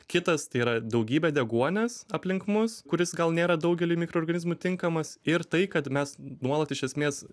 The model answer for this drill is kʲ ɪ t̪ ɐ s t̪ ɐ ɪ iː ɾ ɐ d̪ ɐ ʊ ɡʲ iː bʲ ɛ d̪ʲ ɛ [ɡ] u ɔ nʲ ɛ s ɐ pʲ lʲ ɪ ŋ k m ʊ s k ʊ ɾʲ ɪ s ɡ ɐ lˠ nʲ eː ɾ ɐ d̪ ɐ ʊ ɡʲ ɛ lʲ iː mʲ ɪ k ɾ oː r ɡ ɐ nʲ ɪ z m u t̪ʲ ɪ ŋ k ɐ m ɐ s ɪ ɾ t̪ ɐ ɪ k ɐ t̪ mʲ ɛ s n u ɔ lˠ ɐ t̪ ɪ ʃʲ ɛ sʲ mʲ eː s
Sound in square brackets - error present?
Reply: no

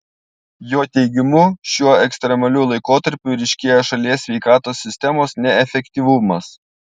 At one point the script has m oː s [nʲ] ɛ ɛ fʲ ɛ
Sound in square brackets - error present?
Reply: no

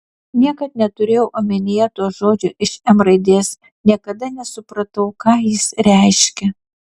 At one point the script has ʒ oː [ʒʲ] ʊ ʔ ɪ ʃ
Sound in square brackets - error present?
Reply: yes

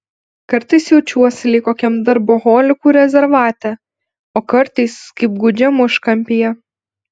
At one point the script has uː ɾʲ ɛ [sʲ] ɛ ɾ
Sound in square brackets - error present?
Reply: yes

